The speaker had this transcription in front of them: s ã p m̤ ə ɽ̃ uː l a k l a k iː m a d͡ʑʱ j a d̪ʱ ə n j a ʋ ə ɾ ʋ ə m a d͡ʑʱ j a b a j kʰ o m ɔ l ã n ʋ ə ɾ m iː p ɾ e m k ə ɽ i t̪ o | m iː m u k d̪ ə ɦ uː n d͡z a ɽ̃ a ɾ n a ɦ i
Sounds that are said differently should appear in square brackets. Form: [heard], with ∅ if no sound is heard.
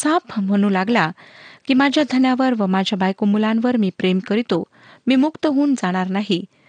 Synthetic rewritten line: s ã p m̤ ə ɽ̃ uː l a [ɡ] l a k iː m a d͡ʑʱ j a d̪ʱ ə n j a ʋ ə ɾ ʋ ə m a d͡ʑʱ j a b a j [k] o m [u] l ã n ʋ ə ɾ m iː p ɾ e m k ə [ɾ] i t̪ o | m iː m u k [t̪] ə ɦ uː n d͡z a ɽ̃ a ɾ n a ɦ i